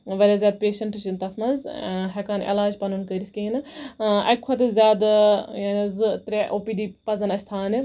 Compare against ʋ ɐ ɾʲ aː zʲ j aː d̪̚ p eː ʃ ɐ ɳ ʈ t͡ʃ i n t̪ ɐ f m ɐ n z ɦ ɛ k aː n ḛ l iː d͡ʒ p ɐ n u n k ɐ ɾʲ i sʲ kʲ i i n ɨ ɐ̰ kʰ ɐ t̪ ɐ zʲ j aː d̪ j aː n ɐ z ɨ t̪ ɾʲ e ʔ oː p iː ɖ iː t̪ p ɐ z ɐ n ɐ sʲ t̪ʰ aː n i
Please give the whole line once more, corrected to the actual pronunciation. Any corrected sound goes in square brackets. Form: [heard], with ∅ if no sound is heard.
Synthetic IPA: ʋ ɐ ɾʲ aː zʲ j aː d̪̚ p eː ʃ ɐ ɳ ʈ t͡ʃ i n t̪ ɐ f m ɐ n z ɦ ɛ k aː n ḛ l [aː] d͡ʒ p ɐ n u n k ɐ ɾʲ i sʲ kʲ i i n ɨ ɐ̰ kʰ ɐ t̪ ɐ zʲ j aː d̪ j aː n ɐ z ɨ t̪ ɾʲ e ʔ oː p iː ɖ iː [∅] p ɐ z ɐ n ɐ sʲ t̪ʰ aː n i